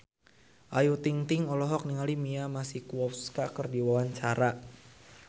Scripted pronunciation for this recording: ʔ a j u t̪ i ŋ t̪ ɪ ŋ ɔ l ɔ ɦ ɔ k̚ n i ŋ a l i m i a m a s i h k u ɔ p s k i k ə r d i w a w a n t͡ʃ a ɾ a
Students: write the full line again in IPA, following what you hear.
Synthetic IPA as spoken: ʔ a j u t̪ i ŋ t̪ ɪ ŋ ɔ l ɔ ɦ ɔ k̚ n i ŋ a l i m i a m a s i h k u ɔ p s k a k ə r d i w a w a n t͡ʃ a ɾ a

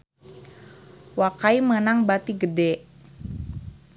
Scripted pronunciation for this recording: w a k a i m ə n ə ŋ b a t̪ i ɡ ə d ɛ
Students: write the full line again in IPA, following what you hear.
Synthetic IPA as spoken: w a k a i m ə n a ŋ b a t̪ i ɡ ə d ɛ

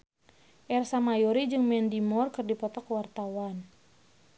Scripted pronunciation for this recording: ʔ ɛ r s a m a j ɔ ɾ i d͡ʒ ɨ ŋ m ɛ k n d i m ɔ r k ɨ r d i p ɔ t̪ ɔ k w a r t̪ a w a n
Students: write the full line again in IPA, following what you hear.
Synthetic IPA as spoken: ʔ ɛ r s a m a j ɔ ɾ i d͡ʒ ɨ ŋ m ɛ n d i m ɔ r k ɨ r d i p ɔ t̪ ɔ k w a r t̪ a w a n

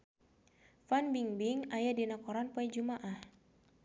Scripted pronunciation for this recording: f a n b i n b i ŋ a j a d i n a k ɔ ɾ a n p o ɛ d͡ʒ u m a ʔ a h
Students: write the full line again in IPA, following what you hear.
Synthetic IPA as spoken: f a n b i ŋ b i ŋ a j a d i n a k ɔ ɾ a n p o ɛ d͡ʒ u m a ʔ a h

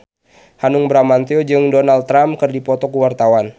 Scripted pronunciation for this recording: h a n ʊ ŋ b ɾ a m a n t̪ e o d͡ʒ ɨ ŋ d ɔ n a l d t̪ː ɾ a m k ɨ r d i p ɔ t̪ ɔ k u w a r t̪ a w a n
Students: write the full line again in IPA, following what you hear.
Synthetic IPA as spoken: h a n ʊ ŋ b ɾ a m a n t̪ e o d͡ʒ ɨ ŋ d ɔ n a l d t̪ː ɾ a m k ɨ r d i p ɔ t̪ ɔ k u w a r t̪ a w a n

